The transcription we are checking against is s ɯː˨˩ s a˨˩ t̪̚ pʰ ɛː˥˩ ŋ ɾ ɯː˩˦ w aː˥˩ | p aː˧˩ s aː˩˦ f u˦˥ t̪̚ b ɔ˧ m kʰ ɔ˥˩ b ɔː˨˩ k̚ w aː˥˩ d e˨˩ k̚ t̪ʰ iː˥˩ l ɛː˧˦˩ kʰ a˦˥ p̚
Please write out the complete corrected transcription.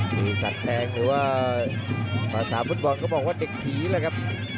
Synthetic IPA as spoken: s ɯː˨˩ s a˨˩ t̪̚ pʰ ɛː˧ ŋ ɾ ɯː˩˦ w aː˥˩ | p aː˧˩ s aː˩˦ f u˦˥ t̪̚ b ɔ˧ n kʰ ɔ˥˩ b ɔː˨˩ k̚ w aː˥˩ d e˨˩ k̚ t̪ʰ iː˨˩˦ l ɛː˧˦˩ kʰ a˦˥ p̚